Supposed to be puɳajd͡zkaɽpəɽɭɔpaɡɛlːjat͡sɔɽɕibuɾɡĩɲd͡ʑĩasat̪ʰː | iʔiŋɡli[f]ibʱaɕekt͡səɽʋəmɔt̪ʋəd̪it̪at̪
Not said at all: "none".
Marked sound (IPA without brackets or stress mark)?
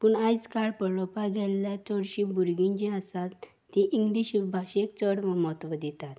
ɕ